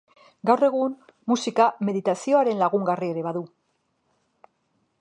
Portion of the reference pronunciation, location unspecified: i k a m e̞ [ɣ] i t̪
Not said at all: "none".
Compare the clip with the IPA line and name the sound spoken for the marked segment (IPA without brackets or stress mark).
ð